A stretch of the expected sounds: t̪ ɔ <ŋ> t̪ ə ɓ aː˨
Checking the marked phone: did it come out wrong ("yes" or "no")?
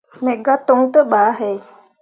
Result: no